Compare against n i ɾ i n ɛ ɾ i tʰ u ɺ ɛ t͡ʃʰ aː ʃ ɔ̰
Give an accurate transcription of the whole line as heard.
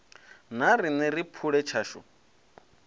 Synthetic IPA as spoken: n a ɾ i n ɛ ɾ i pʰ u ɺ ɛ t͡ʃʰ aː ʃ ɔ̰

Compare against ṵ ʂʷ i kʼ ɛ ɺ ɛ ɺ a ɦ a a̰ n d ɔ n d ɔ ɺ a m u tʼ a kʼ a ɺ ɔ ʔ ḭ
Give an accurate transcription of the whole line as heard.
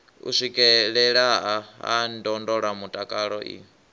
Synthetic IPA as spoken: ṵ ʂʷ i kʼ ɛ ɺ ɛ ɺ a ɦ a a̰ n d ɔ n d ɔ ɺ a m u tʼ a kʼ a ɺ ɔ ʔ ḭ

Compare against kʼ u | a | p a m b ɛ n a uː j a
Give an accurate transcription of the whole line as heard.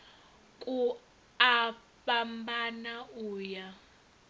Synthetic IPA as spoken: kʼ u | a | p a m b a n a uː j a

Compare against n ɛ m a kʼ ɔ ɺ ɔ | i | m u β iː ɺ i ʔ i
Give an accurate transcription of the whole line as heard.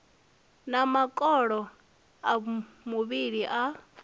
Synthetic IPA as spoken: n a m a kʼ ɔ ɺ ɔ | a | m u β i ɺ i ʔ a

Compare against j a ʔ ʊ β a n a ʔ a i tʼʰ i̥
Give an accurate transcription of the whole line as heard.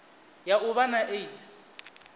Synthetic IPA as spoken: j a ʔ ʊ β a n a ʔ e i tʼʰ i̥

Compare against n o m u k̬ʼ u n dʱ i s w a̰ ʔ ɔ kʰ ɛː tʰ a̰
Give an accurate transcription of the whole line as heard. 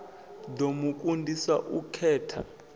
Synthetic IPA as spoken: d o m u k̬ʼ u n dʱ i s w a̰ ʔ u kʰ ɛː tʰ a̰

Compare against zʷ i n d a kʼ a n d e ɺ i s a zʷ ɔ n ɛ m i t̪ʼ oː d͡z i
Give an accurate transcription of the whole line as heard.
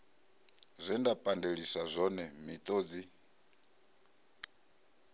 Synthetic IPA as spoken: zʷ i n d a pʼ a n d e ɺ i s a zʷ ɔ n ɛ m i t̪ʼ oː d͡z i

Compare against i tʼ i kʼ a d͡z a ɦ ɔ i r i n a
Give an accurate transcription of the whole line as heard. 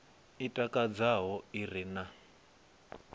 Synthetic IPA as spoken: i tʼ a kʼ a d͡z a ɦ ɔ i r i n a

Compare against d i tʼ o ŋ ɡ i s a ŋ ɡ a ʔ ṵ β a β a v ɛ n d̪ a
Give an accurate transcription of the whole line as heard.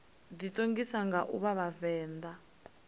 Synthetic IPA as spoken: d i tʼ o ŋ ɡ i s a ŋ ɡ a ʔ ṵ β a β a v ɛː n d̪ a

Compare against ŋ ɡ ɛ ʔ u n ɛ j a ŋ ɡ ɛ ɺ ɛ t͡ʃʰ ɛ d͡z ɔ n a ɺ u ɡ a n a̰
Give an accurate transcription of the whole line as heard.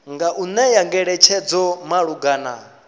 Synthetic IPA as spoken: ŋ ɡ a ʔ u n ɛ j a ŋ ɡ ɛ ɺ ɛ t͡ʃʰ ɛ d͡z ɔ m a ɺ u ɡ a n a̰

